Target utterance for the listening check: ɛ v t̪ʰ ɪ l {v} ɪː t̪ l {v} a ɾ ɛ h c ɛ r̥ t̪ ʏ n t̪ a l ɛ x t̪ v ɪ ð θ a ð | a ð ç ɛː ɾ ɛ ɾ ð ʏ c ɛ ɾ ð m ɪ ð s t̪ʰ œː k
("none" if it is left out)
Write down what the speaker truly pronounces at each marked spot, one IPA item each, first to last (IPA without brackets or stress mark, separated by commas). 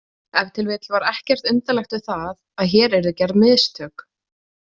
v, v